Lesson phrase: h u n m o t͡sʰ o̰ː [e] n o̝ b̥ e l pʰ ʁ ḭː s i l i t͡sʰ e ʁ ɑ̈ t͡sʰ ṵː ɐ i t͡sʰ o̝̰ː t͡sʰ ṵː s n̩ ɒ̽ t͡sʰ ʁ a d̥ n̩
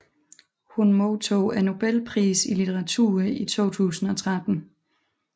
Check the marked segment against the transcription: incorrect: æ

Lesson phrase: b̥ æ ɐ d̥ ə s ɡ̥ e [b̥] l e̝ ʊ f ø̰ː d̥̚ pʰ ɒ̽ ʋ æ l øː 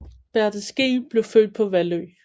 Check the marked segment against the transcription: correct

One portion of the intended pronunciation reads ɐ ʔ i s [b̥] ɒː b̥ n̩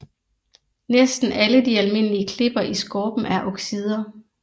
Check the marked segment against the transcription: incorrect: ɡ̥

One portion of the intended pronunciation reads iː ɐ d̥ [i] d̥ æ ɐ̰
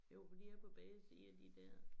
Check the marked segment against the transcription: correct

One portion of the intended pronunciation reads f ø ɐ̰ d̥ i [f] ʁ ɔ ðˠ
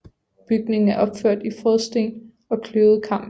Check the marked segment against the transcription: correct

